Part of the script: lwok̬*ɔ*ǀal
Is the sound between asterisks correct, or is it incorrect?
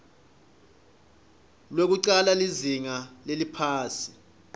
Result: incorrect